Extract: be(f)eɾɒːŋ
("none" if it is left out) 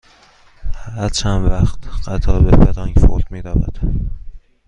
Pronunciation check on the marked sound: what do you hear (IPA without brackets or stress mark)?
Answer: f